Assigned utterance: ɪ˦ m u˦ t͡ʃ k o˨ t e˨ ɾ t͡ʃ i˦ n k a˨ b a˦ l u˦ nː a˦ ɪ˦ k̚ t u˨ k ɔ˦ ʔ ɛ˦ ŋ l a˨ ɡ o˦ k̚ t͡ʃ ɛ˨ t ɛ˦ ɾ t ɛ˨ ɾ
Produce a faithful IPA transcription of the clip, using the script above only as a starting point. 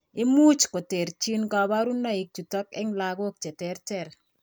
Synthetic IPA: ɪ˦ m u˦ t͡ʃ k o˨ t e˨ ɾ t͡ʃ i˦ n k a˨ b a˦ ɾ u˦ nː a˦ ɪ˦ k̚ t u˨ t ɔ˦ k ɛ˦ ŋ l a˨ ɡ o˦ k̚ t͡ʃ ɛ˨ t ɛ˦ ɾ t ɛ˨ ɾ